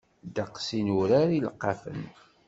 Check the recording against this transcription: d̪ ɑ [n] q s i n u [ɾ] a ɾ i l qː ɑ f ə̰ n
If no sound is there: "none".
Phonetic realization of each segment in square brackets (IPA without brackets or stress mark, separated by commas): none, ɾ